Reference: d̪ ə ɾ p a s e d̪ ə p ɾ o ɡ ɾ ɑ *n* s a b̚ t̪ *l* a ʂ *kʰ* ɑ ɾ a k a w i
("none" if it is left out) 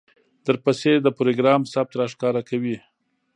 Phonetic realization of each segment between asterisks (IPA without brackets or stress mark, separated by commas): m, ɾ, k